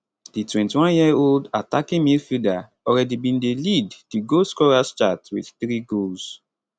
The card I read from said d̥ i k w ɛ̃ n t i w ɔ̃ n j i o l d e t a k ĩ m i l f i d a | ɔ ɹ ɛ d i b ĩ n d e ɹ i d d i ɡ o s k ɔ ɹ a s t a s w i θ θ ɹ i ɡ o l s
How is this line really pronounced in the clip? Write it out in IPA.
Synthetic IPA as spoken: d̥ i t w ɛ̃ n t i w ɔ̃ n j i o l d a t a k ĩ m i l f i d a | ɔ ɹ ɛ d i b ĩ n d e l i d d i ɡ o s k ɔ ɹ a s t͡ʃ a t w i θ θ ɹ i ɡ o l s